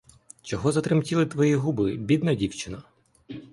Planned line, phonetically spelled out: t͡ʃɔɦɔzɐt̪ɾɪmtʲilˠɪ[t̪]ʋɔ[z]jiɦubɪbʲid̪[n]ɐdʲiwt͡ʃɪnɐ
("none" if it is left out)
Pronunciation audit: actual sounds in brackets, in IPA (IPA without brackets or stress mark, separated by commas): t̪, none, n